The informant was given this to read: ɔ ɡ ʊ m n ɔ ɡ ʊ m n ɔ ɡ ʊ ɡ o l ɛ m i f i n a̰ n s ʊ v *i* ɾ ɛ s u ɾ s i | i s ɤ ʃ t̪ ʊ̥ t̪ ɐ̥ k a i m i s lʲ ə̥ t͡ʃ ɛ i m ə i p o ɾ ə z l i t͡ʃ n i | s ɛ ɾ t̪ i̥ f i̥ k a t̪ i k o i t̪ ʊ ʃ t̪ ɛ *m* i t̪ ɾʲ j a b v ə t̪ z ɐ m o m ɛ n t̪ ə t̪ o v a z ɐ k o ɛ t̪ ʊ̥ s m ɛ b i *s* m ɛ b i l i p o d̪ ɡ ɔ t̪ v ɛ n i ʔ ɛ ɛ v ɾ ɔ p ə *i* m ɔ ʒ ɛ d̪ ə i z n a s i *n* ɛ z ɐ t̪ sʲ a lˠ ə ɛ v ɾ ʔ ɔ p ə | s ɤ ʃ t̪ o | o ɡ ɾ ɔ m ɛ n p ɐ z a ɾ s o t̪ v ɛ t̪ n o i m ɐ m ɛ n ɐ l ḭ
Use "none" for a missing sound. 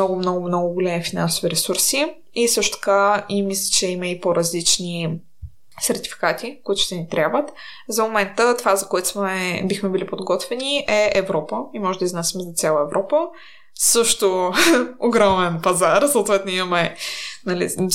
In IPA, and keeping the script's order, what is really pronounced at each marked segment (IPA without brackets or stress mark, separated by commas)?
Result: i, n, x, i, m